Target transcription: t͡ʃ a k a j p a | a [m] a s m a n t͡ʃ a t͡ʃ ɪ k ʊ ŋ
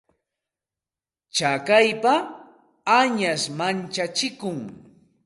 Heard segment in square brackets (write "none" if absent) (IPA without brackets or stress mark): ɲ